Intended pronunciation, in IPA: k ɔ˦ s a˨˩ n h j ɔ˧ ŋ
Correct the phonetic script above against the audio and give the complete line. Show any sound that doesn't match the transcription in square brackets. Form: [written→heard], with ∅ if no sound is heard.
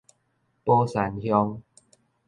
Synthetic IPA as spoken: [k→p] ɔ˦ s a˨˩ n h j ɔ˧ ŋ